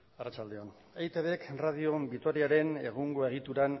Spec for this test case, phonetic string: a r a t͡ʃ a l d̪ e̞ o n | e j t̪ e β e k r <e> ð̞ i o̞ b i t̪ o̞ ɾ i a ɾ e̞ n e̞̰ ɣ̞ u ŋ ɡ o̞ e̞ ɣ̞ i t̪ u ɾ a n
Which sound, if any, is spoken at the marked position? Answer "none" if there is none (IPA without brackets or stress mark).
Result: a